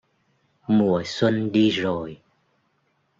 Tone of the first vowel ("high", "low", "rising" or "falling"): low